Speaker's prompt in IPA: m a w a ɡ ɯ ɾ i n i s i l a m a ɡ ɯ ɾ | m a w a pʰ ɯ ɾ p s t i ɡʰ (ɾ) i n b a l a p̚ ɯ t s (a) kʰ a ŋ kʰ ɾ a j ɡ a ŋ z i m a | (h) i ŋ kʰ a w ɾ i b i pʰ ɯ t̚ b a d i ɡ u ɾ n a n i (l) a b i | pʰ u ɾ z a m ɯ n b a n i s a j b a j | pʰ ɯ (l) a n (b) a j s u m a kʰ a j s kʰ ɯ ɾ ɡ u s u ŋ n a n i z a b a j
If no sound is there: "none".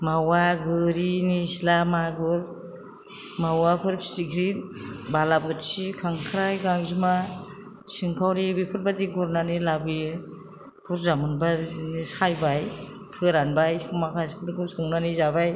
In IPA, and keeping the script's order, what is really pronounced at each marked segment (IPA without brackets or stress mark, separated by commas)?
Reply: ɾ, i, s, l, ɾ, b